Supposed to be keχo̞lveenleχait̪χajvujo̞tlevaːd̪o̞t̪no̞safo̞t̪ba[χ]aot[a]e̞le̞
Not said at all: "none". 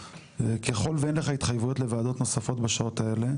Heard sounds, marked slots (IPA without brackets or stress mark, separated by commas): ʃ, a